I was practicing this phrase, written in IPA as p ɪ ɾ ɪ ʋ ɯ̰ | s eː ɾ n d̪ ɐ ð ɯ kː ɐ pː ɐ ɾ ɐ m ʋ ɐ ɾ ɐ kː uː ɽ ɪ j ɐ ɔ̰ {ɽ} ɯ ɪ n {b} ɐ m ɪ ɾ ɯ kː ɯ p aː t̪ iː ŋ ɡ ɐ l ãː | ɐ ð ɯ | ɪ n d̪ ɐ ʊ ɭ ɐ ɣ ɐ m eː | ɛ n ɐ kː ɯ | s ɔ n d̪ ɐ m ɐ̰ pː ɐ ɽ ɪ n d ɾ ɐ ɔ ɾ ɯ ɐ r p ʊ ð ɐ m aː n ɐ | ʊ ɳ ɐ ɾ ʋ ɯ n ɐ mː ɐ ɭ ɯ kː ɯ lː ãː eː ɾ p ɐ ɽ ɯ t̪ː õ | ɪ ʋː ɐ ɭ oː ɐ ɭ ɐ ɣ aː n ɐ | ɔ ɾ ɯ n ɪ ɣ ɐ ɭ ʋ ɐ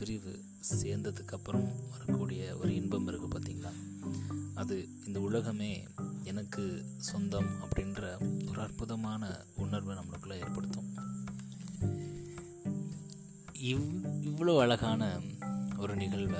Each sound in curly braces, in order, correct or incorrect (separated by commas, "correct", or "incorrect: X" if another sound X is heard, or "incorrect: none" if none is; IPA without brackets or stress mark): incorrect: ɾ, correct